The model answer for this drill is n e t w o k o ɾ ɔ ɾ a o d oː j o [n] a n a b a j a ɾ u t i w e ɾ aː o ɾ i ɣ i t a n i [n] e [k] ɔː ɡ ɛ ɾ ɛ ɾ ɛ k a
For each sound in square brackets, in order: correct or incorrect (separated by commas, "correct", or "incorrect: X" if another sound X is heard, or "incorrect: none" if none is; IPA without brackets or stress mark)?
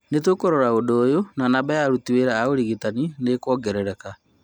correct, correct, correct